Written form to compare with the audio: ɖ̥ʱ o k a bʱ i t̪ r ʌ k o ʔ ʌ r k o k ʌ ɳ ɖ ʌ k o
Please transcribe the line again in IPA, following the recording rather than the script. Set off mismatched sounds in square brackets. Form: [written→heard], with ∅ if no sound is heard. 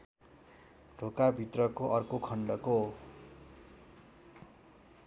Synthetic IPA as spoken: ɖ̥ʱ o k a bʱ i t̪ r ʌ k o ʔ ʌ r k o [k→kʰ] ʌ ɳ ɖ ʌ k o